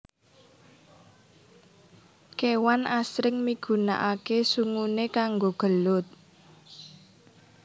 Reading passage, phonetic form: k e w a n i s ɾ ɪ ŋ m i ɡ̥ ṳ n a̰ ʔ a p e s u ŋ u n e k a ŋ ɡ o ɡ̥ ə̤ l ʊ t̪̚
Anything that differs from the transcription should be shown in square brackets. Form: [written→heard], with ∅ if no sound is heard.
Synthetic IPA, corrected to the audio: k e w a n [i→a] s ɾ ɪ ŋ m i ɡ̥ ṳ n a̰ ʔ a [p→k] e s u ŋ u n e k a ŋ ɡ o ɡ̥ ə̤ l ʊ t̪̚

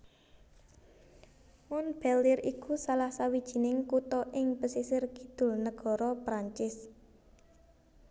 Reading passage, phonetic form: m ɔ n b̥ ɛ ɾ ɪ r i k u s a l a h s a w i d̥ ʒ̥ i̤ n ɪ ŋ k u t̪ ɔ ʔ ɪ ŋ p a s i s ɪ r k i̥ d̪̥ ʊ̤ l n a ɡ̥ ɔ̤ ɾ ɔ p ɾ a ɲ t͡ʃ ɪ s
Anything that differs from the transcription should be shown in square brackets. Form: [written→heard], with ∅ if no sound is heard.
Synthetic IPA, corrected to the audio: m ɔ n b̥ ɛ [ɾ→l] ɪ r i k u s a l a h s a w i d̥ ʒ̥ i̤ n ɪ ŋ k u t̪ ɔ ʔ ɪ ŋ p [a→ə] s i s ɪ r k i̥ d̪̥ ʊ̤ l n [a→ə] ɡ̥ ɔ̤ ɾ ɔ p ɾ a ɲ t͡ʃ ɪ s

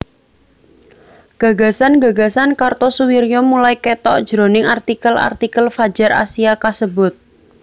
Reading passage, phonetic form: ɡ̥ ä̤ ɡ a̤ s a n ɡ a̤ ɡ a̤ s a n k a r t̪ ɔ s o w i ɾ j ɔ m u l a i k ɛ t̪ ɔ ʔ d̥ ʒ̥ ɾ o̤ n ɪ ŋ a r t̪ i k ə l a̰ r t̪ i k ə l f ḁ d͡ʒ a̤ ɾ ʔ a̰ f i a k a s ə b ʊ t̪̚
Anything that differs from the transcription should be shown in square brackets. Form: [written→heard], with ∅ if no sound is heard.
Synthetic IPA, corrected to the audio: ɡ̥ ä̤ ɡ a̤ s a n ɡ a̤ ɡ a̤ s a n k a r t̪ ɔ s [o→u] w i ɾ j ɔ m u l a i k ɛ t̪ ɔ ʔ d̥ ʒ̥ ɾ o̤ n ɪ ŋ a r t̪ i k ə l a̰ r t̪ i k ə l f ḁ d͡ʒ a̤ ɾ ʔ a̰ [f→s] i a k a s ə b ʊ t̪̚

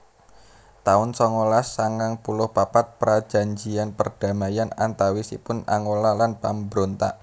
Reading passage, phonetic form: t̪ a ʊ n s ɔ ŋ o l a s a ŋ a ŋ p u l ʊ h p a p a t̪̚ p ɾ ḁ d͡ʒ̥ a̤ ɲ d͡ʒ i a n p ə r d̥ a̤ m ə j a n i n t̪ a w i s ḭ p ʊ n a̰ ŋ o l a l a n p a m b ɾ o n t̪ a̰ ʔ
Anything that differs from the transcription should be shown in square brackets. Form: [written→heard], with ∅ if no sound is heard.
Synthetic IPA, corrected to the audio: t̪ a ʊ n s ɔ ŋ o l a s a ŋ a ŋ p u l ʊ h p a p a t̪̚ p ɾ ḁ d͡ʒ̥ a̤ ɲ d͡ʒ i a n p ə r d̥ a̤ m [ə→a] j a n [i→a] n t̪ a w i s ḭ p ʊ n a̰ ŋ o l a l a n p a m b ɾ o n t̪ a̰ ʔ

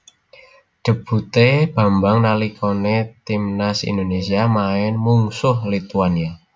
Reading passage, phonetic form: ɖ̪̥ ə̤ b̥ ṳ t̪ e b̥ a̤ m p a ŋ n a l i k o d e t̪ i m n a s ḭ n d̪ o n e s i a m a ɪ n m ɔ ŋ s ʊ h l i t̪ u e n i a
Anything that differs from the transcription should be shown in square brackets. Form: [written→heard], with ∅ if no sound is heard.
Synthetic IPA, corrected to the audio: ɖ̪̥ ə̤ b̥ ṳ t̪ e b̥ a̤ m [p→b] a ŋ n a l i k o [d→n] e t̪ i m n a s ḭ n d̪ o n e s i a m a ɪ n m [ɔ→u] ŋ s ʊ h l i t̪ u [e→a] n i a

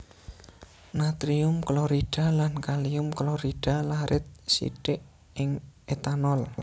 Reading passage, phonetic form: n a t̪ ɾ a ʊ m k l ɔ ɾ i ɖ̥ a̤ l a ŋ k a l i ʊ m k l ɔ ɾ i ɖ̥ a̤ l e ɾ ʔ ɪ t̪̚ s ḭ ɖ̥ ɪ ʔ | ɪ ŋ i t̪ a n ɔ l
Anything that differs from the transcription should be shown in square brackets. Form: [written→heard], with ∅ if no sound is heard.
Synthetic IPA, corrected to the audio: n a t̪ ɾ [a→i] ʊ m k l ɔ ɾ i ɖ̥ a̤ l a [ŋ→n] k a l i ʊ m k l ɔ ɾ i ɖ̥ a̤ l [e→a] ɾ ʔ ɪ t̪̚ s ḭ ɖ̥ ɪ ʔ | ɪ ŋ [i→e] t̪ a n ɔ l

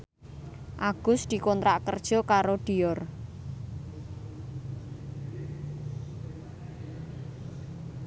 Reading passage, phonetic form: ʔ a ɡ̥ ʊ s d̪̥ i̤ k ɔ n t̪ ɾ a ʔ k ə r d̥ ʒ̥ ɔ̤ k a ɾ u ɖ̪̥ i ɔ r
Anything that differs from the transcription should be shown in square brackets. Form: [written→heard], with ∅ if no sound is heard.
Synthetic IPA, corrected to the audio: ʔ a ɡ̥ ʊ s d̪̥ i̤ k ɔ n t̪ ɾ a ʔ k ə r d̥ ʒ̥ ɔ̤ k a ɾ [u→o] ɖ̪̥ i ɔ r

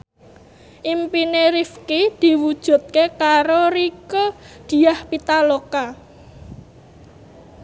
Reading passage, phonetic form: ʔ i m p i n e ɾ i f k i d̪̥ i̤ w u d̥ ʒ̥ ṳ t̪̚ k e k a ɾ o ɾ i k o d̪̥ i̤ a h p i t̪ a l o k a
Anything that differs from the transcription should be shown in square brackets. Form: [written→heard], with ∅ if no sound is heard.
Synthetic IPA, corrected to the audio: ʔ i m p i n e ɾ i f k i d̪̥ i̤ w u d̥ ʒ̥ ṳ t̪̚ k e k a ɾ o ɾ i k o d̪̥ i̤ a h p i t̪ a l o k a

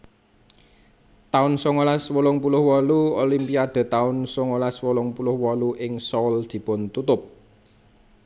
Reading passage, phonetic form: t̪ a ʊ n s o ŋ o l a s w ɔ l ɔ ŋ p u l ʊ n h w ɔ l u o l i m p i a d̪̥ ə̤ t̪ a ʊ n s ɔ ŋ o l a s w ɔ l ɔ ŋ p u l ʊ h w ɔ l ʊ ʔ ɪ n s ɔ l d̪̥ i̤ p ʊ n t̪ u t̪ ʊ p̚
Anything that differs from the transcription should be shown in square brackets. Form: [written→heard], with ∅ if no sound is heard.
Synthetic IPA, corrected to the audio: t̪ a ʊ n s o ŋ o l a s w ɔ l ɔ ŋ p u l ʊ [n→∅] h w ɔ l u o l i m p i a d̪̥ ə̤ t̪ a ʊ n s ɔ ŋ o l a s w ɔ l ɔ ŋ p u l ʊ h w ɔ l [ʊ→u] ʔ ɪ [n→ŋ] s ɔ l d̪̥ i̤ p ʊ n t̪ u t̪ ʊ p̚

